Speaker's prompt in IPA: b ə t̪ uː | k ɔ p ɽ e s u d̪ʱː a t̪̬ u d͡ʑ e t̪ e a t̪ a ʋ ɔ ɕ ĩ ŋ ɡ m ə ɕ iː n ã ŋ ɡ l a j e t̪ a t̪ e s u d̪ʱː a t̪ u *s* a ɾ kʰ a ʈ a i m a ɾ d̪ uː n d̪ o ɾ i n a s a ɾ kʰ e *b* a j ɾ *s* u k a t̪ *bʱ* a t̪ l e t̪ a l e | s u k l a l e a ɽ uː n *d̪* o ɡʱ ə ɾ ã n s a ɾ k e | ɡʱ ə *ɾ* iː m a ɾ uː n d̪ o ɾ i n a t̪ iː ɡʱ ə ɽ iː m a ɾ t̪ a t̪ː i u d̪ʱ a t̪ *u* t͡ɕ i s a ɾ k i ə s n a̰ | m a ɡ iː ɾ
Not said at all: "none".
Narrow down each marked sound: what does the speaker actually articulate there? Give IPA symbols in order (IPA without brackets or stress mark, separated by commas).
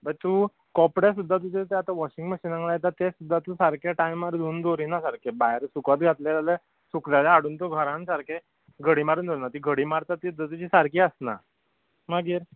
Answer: s, b, s, ɡʱ, t̪, ɽ, u